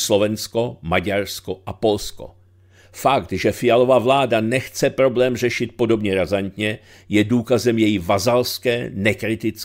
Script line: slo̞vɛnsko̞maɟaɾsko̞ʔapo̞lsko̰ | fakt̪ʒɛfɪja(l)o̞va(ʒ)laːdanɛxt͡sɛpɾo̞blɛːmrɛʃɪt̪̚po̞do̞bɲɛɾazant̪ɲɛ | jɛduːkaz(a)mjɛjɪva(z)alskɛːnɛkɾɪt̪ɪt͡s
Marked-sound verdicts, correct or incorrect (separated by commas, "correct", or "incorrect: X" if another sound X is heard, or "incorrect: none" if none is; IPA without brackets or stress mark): correct, incorrect: v, incorrect: ɛ, correct